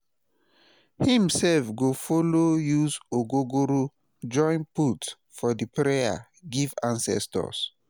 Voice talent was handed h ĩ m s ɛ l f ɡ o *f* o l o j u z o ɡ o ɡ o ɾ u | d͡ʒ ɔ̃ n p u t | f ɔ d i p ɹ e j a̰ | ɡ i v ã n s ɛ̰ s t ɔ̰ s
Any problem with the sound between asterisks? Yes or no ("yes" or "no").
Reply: no